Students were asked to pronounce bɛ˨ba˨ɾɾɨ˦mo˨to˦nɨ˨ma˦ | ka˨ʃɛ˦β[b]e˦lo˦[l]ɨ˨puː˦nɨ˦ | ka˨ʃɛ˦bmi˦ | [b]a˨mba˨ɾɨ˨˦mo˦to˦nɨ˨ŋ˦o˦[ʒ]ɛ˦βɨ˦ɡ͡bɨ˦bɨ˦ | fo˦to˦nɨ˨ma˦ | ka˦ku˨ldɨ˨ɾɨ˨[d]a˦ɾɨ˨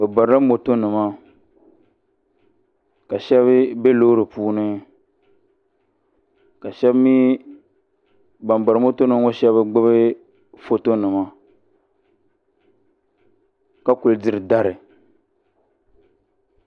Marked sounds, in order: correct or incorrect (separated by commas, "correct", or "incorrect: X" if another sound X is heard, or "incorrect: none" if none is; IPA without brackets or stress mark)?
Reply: correct, incorrect: ɾ, correct, incorrect: ʃ, correct